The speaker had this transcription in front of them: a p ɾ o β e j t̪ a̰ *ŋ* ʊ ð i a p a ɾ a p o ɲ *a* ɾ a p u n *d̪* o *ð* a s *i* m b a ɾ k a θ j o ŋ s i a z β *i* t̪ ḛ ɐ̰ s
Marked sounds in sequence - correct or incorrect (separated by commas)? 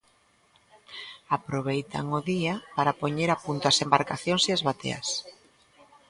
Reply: correct, incorrect, incorrect, incorrect, incorrect, incorrect